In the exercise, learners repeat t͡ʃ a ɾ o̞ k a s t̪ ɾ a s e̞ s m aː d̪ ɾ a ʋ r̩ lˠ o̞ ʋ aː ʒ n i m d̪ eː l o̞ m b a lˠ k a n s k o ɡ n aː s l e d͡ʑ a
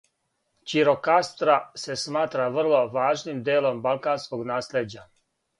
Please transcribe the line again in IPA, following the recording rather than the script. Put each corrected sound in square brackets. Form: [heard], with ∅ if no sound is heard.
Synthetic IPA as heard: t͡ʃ [i] ɾ o̞ k a s t̪ ɾ a s e̞ s m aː [t̪] ɾ a ʋ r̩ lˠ o̞ ʋ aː ʒ n i m d̪ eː l o̞ m b a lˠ k a n s k o ɡ n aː s l e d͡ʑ a